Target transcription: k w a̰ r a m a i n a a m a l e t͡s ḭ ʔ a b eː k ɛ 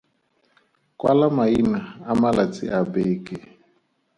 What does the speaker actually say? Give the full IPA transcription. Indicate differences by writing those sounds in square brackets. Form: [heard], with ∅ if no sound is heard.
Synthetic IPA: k w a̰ [l] a m a i n a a m a l [a] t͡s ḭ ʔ a b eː k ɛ